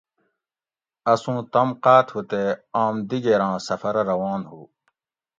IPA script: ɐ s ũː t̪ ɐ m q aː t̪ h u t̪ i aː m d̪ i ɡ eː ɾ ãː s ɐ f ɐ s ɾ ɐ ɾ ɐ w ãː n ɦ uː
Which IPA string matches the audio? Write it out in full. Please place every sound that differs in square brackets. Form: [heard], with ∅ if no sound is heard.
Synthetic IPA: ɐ s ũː t̪ ɐ m q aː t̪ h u t̪ [e] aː m d̪ i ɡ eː ɾ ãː s ɐ f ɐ [∅] ɾ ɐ ɾ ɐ w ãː n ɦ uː